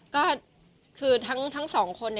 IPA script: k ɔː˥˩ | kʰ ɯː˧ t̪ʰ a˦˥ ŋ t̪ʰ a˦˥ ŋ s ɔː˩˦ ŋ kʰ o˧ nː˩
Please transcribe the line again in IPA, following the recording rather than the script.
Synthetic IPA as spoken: k ɔː˥˩ | kʰ ɯː˧ t̪ʰ a˦˥ ŋ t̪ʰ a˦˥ ŋ s ɔː˩˦ ŋ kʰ o˧ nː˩

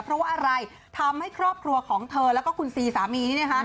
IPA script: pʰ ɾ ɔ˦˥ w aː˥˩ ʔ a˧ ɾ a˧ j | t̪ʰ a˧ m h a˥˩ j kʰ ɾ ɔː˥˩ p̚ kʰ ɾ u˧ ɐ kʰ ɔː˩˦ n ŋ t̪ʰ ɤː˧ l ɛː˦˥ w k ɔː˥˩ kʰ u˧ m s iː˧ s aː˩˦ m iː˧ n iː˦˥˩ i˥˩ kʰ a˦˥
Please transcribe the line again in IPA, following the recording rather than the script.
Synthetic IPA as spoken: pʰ ɾ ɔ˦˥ w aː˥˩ ʔ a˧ ɾ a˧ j | t̪ʰ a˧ m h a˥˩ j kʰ ɾ ɔː˥˩ p̚ kʰ ɾ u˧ ɐ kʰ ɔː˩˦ ŋ t̪ʰ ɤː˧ l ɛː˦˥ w k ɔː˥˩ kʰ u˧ n s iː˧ s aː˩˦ m iː˧ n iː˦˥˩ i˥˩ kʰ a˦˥

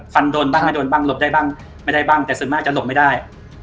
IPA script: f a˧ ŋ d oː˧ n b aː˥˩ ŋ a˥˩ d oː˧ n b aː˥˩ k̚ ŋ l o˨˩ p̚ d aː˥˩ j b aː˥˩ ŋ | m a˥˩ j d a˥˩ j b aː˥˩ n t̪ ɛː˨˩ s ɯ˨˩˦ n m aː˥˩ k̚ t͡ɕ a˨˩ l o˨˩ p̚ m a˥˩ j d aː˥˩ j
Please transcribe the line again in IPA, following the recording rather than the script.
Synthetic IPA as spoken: f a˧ n d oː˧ n b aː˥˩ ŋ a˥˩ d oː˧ n b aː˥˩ ŋ l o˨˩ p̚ d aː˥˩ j b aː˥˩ ŋ | m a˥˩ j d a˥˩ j b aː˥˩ ŋ t̪ ɛː˨˩ s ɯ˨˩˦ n m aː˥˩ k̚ t͡ɕ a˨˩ l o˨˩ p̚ m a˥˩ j d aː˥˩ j

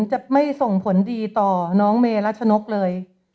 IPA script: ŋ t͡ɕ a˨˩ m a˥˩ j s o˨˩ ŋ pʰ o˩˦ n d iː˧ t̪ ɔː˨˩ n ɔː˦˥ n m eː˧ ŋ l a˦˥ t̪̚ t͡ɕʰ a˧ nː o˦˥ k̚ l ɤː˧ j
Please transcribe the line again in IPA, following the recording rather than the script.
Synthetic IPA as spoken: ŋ t͡ɕ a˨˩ m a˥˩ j s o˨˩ ŋ pʰ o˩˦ n d iː˧ t̪ ɔː˨˩ n ɔː˦˥ ŋ m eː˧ l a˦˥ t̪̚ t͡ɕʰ a˧ n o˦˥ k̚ l ɤː˧ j

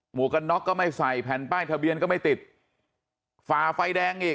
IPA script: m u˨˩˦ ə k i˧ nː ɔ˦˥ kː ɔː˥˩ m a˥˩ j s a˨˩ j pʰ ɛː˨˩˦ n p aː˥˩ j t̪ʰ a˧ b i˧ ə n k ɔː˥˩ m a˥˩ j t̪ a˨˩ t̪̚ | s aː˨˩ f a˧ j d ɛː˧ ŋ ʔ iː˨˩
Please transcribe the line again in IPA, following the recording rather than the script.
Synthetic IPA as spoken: m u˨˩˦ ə k a˧ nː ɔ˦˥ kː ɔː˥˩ m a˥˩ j s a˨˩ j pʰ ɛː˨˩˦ n p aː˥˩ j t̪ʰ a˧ b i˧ ə n k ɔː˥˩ m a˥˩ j t̪ i˨˩ t̪̚ | f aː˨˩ f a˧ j d ɛː˧ ŋ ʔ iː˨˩

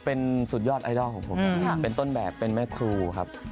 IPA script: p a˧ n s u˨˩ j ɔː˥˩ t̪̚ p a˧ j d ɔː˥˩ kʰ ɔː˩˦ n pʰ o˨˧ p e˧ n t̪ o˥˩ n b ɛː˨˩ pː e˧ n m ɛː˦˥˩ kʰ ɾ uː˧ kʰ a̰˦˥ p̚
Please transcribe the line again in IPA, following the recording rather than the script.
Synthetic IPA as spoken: p e˧ n s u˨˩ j ɔː˥˩ t̪̚ ʔ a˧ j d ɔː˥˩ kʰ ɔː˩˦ ŋ pʰ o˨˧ p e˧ n t̪ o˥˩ n b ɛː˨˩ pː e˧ n m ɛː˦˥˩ kʰ ɾ uː˧ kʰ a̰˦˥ p̚

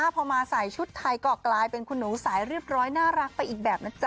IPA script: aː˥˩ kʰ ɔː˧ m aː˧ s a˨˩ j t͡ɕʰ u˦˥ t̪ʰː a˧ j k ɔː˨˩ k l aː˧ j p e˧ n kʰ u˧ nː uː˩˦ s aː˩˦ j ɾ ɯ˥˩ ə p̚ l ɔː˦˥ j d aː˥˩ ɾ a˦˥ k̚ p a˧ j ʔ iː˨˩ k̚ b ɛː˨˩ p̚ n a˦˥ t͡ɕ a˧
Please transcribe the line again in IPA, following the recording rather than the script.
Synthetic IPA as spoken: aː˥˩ pʰ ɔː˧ m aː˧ s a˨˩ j t͡ɕʰ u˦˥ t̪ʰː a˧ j k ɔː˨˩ k l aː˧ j p e˧ n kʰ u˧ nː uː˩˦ s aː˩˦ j ɾ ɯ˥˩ ə p̚ ɾ ɔː˦˥ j n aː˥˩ ɾ a˦˥ k̚ p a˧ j ʔ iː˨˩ k̚ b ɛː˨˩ p̚ n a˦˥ t͡ɕ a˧

